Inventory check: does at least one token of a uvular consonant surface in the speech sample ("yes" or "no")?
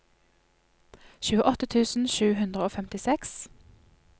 yes